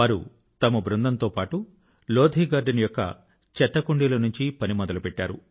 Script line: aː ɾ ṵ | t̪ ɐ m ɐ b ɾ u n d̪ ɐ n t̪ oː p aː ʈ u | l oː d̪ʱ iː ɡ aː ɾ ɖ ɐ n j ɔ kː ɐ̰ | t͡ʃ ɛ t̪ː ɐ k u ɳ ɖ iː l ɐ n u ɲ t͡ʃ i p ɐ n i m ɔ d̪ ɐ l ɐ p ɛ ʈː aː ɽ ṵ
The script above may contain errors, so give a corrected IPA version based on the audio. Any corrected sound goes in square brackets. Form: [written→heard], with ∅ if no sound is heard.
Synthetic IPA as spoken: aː ɾ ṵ | t̪ ɐ m ɐ b ɾ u n d̪ ɐ n t̪ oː p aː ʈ u | l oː d̪ʱ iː ɡ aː ɾ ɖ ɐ n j ɔ kː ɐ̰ | t͡ʃ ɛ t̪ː ɐ k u ɳ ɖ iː l ɐ n u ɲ t͡ʃ i p ɐ n i m ɔ d̪ ɐ l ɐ p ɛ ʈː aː [ɽ→ɾ] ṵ